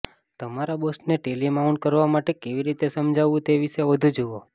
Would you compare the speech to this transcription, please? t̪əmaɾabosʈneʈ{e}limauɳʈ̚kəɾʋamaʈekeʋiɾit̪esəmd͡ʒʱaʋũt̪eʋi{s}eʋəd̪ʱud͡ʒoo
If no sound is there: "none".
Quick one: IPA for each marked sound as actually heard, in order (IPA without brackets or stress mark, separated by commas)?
e, ʃ